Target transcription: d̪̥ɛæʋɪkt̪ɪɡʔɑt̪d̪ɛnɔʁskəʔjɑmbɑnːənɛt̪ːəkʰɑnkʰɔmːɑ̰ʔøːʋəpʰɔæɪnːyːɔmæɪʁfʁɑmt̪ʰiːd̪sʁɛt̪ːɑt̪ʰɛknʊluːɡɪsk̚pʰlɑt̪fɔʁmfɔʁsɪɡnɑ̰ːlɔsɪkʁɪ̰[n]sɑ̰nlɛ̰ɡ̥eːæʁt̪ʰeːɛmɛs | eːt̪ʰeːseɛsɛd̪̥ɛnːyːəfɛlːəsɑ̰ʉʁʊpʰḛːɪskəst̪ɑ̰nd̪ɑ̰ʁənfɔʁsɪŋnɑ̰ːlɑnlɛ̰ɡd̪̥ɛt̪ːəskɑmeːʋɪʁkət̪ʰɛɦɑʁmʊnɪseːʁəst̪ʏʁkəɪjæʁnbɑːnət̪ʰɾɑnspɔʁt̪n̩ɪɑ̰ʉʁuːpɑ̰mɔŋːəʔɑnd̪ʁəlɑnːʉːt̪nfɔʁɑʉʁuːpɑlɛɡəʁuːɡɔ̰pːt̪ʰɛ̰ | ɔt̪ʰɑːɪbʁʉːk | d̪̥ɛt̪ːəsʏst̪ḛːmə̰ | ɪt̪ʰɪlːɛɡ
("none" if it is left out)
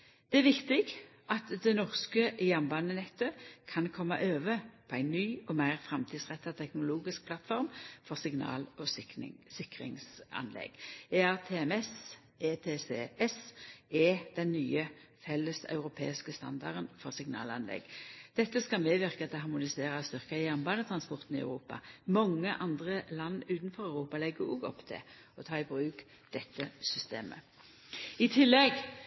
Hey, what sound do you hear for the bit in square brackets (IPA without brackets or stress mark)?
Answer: ŋ